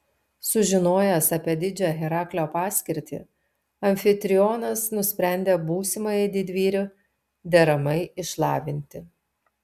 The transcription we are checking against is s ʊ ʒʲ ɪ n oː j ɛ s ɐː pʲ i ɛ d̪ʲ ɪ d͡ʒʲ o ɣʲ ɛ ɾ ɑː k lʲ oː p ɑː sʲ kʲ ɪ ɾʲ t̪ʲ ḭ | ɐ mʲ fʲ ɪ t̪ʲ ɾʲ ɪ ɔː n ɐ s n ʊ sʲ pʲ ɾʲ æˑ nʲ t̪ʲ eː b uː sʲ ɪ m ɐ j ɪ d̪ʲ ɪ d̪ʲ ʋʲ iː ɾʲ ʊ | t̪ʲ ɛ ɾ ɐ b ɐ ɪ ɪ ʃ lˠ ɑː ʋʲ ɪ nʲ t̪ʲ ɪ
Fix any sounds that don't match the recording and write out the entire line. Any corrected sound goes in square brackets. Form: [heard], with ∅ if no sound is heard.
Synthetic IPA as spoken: s ʊ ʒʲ ɪ n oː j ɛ s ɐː pʲ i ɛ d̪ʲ ɪ d͡ʒʲ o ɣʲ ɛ ɾ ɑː k lʲ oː p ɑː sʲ kʲ ɪ ɾʲ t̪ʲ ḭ | ɐ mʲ fʲ ɪ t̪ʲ ɾʲ ɪ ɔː n ɐ s n ʊ sʲ pʲ ɾʲ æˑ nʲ [d̪ʲ] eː b uː sʲ ɪ m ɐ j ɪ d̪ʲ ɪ d̪ʲ ʋʲ iː ɾʲ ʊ | [d̪ʲ] ɛ ɾ ɐ [m] ɐ ɪ ɪ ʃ lˠ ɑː ʋʲ ɪ nʲ t̪ʲ ɪ